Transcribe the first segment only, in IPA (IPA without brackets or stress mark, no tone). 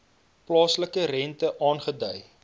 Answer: p